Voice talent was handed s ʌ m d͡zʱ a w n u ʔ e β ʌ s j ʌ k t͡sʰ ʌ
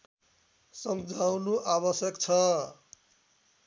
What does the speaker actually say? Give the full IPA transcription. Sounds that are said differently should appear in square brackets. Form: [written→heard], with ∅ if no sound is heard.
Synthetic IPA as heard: s ʌ m d͡zʱ a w n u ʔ [e→a] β ʌ s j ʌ k t͡sʰ ʌ